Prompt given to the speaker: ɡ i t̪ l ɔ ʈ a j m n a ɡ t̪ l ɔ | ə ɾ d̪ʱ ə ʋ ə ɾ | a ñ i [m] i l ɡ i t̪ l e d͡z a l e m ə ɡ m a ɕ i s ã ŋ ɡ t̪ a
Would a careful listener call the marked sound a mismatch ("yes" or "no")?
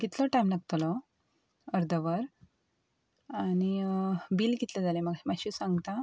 yes